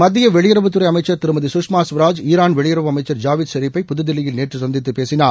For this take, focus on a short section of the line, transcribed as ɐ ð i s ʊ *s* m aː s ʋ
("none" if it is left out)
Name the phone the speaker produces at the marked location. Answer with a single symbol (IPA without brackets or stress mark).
ʂ